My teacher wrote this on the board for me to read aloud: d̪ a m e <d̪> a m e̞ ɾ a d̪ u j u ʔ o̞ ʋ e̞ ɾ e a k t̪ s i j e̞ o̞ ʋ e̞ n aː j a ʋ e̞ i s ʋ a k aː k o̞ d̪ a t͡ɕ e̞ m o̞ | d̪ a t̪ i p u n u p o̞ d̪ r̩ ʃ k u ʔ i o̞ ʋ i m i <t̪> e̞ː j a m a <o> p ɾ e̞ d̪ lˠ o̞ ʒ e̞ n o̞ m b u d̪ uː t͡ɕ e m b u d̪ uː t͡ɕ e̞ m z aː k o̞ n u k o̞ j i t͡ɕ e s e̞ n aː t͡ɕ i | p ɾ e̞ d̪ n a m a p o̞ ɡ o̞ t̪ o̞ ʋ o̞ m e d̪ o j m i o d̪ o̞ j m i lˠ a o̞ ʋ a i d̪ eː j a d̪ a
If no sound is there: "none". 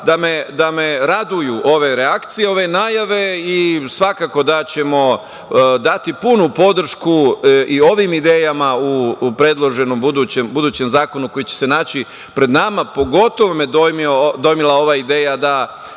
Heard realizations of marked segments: d̪, d̪, u

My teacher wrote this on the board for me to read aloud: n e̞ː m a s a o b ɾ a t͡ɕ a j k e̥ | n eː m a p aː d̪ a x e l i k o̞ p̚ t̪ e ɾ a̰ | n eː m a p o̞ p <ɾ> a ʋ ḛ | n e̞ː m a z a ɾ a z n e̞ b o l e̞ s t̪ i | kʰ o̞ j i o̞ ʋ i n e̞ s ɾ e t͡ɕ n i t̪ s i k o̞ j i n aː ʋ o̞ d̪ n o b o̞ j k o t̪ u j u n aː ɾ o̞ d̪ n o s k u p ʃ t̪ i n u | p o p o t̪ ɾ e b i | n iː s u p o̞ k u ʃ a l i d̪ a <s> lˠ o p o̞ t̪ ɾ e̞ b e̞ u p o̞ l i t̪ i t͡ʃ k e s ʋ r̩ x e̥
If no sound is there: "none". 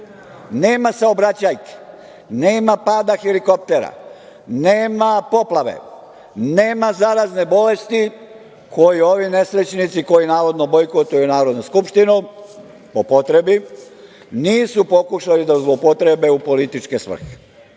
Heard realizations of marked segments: l, z

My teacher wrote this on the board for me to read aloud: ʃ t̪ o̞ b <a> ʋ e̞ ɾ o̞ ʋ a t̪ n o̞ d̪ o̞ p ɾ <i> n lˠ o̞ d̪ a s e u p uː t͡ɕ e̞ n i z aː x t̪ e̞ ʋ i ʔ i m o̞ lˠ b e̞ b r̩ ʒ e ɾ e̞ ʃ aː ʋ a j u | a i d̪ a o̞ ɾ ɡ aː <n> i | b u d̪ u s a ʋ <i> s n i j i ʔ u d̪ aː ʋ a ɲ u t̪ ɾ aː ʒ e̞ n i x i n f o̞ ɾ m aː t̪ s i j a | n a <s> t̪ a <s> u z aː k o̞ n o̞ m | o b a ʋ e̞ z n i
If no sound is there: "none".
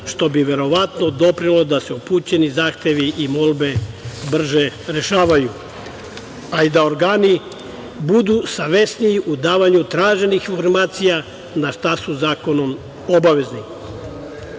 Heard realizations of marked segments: i, i, n, e, ʃ, s

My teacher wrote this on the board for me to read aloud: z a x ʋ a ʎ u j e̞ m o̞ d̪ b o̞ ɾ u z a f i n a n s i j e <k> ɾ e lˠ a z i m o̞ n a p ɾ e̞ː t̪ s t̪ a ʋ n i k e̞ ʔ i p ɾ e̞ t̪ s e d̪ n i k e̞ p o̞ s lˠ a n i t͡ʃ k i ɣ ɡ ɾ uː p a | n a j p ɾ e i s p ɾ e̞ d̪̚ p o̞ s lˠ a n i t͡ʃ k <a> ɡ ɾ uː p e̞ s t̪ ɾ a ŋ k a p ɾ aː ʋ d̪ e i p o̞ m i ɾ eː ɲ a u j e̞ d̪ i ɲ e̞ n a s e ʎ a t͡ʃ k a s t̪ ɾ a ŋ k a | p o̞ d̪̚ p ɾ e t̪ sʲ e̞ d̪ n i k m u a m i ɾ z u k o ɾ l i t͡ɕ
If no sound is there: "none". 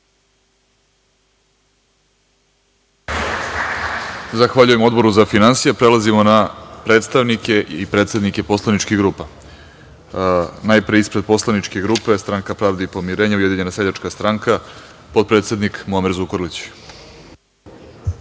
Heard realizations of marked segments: p, e

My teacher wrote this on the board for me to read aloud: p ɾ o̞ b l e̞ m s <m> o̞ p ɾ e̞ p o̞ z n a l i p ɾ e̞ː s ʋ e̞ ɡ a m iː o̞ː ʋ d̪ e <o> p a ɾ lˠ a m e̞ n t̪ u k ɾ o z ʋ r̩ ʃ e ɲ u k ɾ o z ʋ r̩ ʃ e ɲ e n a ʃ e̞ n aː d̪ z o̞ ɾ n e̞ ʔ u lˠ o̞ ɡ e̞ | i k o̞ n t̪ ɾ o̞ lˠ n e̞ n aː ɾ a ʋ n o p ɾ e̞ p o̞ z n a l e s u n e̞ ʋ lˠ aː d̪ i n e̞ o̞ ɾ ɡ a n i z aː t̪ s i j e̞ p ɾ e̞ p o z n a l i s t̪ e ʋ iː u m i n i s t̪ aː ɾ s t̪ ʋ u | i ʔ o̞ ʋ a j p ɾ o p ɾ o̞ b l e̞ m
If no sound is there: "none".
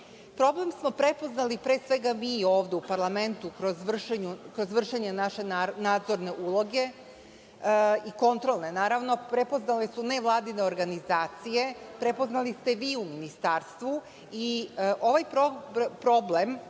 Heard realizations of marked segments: m, u

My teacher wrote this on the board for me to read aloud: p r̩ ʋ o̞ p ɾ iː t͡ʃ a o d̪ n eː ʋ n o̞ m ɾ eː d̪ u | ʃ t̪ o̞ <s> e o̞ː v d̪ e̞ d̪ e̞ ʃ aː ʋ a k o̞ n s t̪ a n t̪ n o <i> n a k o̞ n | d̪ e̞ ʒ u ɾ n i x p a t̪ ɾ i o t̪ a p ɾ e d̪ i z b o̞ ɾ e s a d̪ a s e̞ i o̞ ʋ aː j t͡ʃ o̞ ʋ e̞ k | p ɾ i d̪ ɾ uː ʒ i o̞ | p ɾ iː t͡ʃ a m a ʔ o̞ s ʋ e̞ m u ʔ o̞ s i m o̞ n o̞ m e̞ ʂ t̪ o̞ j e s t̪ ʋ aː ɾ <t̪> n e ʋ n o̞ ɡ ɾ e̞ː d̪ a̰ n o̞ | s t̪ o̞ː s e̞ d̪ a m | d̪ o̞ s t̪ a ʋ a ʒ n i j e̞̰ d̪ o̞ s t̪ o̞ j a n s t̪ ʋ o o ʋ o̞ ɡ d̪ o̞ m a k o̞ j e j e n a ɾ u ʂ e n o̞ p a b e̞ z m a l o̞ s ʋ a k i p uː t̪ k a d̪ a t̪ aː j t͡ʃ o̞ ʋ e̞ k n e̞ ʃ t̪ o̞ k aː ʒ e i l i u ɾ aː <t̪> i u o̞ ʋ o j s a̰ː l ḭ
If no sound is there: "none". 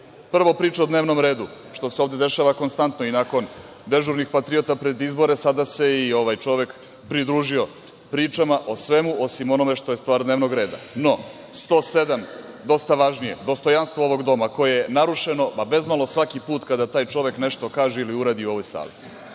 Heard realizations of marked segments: s, i, d̪, d̪

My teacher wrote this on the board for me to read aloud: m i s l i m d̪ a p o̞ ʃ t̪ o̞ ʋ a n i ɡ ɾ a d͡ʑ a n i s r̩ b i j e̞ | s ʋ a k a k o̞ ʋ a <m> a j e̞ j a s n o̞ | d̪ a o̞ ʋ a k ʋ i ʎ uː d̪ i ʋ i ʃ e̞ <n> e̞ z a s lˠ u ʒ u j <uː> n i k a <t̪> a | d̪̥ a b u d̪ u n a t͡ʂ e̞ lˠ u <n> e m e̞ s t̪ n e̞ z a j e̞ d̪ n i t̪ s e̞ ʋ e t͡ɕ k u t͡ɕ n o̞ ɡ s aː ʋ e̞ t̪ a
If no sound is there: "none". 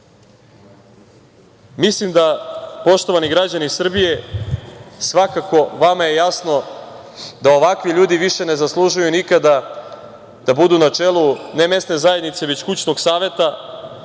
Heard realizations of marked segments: m, n, u, d̪, n

